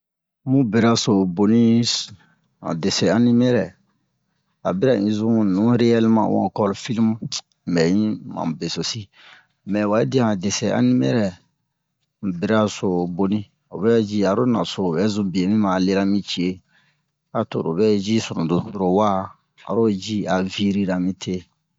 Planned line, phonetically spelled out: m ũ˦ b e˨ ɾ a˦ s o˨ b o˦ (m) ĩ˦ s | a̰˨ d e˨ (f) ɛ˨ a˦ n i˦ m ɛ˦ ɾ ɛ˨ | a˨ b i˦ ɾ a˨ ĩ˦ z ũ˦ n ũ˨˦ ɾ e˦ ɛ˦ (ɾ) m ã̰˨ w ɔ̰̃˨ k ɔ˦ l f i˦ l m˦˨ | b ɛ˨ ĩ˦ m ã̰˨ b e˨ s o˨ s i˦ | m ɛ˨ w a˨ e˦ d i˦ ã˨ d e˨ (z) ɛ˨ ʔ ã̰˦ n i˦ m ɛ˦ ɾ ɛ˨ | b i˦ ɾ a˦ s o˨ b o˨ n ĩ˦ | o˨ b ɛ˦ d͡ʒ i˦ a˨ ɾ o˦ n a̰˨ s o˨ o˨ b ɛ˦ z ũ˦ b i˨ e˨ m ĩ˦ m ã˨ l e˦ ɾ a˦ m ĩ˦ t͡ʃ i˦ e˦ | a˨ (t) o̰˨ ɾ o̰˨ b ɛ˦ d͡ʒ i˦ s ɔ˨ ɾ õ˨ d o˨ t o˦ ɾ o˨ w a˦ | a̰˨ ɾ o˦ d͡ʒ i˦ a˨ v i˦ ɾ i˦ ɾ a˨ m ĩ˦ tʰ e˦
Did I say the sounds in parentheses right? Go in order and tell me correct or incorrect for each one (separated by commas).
incorrect, incorrect, incorrect, incorrect, correct